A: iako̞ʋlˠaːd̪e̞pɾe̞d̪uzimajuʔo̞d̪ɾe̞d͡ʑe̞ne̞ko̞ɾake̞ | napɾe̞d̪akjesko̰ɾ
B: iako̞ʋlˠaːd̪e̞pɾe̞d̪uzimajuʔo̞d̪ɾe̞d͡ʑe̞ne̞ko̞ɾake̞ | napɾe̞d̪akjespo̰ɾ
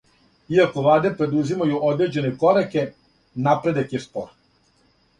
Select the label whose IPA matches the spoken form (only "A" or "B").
B